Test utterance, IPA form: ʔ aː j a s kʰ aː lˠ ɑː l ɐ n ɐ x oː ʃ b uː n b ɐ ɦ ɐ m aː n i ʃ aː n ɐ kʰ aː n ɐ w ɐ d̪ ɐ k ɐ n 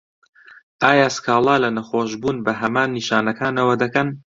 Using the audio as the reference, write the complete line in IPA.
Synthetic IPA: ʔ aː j a s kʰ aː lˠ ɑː l ɐ n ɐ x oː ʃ b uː n b ɐ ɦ ɐ m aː nː i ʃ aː n ɐ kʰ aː n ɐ w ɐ d̪ ɐ k ɐ n